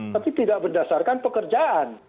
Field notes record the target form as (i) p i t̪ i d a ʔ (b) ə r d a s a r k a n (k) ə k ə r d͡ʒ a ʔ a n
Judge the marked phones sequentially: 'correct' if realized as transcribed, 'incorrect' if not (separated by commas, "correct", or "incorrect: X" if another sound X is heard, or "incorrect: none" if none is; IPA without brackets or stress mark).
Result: incorrect: a, correct, incorrect: p